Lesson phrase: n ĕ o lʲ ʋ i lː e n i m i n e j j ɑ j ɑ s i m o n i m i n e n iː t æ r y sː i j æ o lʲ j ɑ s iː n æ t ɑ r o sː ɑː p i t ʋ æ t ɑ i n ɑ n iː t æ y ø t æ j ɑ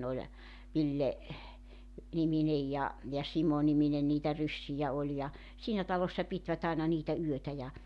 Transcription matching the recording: n ĕ o lʲ ʋ i lː e n i m i n e j j ɑ j ɑ s i m o n i m i n e n iː t æ r y sː i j æ o lʲ j ɑ s iː n æ t ɑ l o sː ɑ p i t ʋ æ t ɑ i n ɑ n iː t æ y ø t æ j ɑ